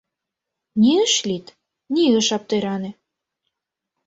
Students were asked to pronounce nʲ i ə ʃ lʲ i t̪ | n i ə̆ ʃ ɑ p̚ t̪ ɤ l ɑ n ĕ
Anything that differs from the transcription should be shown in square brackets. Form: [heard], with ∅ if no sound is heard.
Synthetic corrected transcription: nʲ i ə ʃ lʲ i t̪ | n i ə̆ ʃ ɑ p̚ t̪ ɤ [ɾ] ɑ n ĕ